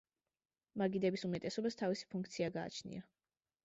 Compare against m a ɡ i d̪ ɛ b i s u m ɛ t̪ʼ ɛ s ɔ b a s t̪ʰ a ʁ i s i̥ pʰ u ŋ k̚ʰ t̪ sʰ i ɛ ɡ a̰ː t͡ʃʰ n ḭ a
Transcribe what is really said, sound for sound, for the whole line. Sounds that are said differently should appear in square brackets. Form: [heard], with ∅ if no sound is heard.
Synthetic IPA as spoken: m a ɡ i d̪ ɛ b i s u m ɛ t̪ʼ ɛ s ɔ b a s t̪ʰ a [v] i s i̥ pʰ u ŋ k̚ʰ t̪ sʰ i [a] ɡ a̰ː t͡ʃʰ n ḭ a